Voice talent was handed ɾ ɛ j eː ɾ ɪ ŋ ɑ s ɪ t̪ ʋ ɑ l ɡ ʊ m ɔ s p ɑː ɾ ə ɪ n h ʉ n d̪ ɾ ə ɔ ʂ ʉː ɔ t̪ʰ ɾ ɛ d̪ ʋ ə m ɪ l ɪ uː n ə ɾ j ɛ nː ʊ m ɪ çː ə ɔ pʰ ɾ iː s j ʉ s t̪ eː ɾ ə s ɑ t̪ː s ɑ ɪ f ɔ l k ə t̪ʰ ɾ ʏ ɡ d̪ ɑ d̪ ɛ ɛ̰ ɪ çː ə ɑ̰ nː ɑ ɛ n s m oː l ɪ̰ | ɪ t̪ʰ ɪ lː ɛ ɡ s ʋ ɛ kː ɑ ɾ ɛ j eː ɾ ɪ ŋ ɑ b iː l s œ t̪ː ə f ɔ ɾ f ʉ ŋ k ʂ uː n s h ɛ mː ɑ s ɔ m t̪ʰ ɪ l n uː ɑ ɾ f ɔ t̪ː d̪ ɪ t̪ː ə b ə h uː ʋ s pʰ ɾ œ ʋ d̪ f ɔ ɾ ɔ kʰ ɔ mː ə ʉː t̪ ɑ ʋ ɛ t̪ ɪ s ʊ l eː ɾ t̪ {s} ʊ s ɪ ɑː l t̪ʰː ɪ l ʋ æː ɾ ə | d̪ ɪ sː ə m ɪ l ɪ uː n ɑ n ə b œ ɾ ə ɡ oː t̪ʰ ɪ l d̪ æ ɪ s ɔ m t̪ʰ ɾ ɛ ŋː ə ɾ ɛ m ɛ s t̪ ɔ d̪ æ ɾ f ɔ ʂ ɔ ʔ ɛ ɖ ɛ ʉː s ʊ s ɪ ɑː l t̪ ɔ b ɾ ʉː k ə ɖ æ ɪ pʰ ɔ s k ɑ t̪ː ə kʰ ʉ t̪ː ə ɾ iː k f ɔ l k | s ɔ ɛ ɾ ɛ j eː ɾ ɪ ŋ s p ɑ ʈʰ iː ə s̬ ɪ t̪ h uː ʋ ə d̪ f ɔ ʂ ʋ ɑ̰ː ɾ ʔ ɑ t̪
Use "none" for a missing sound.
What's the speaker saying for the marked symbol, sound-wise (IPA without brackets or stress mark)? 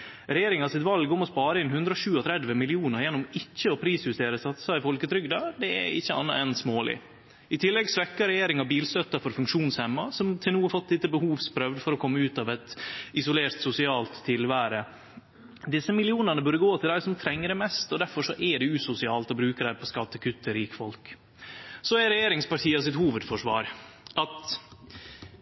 s